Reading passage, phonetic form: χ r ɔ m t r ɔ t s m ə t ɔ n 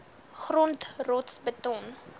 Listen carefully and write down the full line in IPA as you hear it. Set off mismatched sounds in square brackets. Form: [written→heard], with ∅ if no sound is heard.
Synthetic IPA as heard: χ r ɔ [m→n] t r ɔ t s [m→b] ə t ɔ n